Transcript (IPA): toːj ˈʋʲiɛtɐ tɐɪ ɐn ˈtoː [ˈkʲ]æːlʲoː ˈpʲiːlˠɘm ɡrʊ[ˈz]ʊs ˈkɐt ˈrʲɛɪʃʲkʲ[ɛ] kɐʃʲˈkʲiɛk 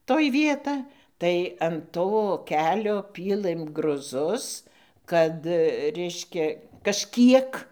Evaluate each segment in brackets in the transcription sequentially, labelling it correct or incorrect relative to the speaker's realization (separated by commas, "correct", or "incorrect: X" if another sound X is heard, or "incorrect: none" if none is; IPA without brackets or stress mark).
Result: correct, correct, correct